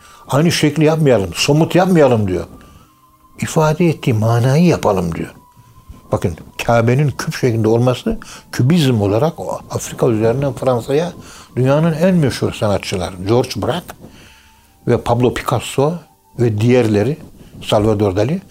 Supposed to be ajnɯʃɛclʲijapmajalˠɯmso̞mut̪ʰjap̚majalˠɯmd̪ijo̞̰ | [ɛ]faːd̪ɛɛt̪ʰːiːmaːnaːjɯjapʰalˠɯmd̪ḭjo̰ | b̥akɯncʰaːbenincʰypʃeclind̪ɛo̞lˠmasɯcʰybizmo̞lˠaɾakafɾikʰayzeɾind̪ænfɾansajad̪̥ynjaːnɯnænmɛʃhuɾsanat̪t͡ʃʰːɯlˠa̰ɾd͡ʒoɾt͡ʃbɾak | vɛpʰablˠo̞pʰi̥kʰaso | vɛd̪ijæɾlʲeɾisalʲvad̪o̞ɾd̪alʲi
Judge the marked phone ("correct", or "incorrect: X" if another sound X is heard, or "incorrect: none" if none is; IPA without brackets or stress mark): incorrect: i